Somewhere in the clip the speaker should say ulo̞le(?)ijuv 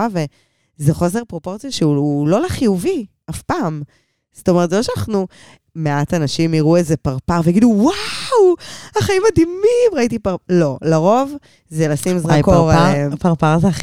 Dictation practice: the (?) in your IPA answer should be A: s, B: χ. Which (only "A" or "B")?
B